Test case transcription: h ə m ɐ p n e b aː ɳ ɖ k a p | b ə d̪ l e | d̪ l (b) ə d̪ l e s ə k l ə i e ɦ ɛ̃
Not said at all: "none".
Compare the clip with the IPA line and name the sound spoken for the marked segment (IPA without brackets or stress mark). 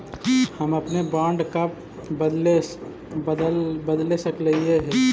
b